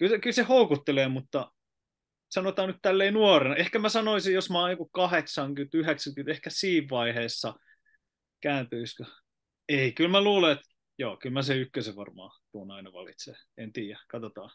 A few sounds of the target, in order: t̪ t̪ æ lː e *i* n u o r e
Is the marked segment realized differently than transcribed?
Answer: no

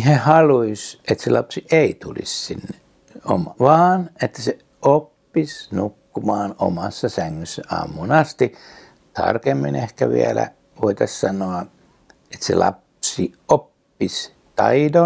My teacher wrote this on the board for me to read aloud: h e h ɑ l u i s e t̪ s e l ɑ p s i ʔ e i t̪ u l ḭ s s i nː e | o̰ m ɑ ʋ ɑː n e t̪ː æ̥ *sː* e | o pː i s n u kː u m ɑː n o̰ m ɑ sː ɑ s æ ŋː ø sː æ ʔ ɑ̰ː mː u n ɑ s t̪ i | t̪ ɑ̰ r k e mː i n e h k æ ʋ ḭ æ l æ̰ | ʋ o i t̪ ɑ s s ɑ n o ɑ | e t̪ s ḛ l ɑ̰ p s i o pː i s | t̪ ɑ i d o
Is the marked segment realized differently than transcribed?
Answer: yes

